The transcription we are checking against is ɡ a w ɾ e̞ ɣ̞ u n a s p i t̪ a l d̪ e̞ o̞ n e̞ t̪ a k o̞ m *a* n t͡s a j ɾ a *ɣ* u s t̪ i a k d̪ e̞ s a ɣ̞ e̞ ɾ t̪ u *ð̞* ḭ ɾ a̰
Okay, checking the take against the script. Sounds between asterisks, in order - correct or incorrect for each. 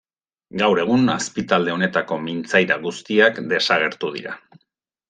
incorrect, correct, correct

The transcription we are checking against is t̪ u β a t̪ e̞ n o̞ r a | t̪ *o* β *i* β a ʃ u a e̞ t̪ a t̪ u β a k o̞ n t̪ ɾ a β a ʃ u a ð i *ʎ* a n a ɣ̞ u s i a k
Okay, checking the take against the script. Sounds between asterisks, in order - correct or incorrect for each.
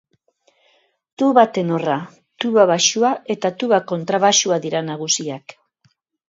incorrect, incorrect, incorrect

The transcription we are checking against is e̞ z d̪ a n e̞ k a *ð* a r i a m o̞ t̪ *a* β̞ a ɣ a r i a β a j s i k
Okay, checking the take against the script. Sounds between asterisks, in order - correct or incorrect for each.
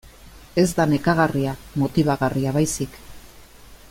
incorrect, incorrect

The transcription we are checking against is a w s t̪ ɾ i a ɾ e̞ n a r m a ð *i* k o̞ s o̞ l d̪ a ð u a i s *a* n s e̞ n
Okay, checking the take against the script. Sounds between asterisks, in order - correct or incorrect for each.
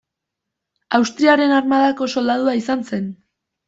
incorrect, correct

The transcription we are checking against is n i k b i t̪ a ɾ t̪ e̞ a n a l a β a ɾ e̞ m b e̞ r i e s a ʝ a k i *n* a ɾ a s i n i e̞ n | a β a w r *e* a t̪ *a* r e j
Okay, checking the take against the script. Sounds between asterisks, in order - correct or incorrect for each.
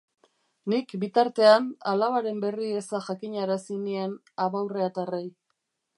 incorrect, correct, correct

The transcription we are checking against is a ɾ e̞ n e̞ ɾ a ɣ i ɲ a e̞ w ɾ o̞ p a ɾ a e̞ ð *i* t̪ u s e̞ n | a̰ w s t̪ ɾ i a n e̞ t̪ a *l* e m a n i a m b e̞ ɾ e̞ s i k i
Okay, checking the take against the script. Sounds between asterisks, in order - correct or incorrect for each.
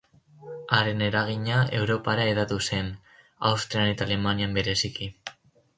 incorrect, correct

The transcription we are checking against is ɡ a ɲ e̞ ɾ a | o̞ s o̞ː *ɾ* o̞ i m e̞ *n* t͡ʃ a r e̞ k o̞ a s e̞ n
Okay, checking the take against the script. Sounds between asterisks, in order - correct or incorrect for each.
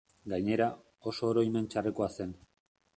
correct, correct

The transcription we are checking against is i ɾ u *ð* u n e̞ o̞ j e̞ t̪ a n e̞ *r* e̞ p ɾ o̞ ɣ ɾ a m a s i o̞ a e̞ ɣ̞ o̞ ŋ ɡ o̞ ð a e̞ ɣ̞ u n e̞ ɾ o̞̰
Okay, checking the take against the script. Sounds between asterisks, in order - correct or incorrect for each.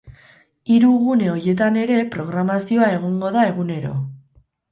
incorrect, incorrect

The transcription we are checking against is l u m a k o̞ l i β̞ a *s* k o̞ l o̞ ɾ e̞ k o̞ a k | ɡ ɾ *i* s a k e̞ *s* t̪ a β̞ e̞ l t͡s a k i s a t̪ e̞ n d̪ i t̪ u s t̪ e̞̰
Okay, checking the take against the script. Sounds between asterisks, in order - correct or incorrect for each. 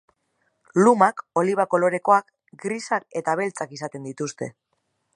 incorrect, correct, incorrect

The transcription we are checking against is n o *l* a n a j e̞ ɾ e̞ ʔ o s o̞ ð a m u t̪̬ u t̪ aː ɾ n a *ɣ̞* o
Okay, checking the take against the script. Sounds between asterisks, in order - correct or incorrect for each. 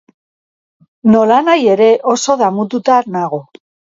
correct, correct

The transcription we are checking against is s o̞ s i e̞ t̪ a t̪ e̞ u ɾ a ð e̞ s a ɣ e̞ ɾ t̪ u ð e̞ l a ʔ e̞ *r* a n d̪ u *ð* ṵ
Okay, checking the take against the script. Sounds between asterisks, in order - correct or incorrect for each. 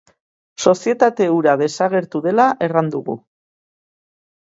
correct, incorrect

